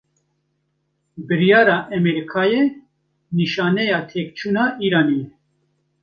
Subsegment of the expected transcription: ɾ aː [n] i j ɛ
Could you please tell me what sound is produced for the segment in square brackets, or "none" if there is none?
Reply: n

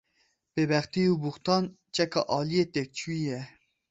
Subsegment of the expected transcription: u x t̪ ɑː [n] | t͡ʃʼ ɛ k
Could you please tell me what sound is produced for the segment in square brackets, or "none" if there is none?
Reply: n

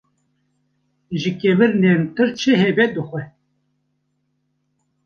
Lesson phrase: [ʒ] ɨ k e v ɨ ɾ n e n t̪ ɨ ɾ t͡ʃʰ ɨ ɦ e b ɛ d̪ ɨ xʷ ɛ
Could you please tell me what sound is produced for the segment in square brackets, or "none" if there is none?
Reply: ʒ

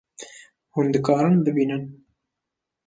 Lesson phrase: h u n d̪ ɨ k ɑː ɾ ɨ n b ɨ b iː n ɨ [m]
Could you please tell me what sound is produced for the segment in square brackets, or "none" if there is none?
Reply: n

